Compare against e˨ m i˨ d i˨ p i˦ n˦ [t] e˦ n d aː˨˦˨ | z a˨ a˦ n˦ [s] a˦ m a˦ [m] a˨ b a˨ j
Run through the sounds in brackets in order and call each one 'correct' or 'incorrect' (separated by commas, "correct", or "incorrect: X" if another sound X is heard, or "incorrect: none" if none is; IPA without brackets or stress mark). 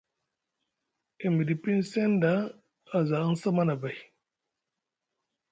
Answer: incorrect: s, correct, incorrect: n